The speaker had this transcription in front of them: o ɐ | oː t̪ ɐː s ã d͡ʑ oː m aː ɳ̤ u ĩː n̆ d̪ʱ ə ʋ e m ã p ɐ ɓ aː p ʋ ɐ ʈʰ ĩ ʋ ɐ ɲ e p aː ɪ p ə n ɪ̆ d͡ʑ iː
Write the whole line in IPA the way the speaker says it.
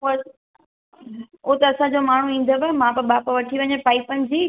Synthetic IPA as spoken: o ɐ | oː t̪ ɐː s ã d͡ʑ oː m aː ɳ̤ u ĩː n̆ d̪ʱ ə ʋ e m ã p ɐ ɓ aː p ʋ ɐ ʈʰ i ʋ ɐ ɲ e p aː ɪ p ə n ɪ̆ d͡ʑ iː